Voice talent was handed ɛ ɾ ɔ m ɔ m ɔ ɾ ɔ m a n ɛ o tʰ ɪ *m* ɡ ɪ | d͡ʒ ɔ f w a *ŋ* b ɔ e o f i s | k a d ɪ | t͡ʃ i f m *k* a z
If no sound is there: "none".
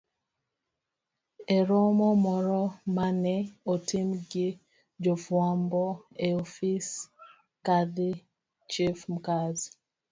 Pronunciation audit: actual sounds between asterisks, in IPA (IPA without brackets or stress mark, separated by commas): m, m, k